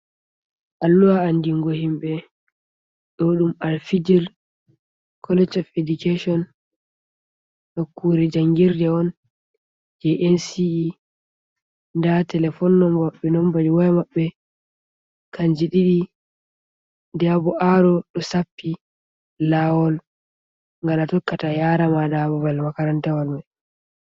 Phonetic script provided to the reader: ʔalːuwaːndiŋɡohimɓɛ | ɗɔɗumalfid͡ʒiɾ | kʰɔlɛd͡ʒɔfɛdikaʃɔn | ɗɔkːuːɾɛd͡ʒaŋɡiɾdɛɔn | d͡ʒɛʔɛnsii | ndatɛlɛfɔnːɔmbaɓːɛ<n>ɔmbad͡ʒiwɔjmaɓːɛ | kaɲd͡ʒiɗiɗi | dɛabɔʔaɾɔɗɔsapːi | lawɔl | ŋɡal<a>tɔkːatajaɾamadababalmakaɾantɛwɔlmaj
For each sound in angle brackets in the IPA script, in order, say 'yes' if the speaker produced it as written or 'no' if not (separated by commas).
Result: yes, yes